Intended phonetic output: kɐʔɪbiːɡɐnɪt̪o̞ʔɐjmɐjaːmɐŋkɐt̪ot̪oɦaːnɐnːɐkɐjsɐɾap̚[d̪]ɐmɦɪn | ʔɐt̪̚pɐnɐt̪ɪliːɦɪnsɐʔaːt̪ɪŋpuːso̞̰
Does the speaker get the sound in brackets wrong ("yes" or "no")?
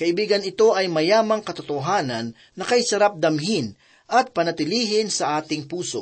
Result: no